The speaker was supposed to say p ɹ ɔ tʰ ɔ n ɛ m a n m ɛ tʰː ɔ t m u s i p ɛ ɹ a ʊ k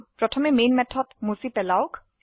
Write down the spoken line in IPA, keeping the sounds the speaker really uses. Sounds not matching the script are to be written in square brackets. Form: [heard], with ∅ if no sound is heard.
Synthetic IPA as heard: p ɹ ɔ tʰ ɔ [m] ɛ m [e] n m ɛ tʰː ɔ t m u s i p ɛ [l] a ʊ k